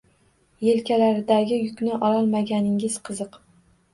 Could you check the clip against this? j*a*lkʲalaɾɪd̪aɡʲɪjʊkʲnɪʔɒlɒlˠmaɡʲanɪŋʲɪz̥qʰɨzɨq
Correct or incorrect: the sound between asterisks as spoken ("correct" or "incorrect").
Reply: incorrect